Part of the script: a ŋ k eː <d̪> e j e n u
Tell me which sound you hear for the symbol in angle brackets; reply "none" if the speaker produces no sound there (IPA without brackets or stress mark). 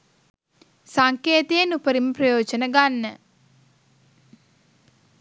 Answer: t̪